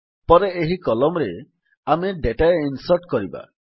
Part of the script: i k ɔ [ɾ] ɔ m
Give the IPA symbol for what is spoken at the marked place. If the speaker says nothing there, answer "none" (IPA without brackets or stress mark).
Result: l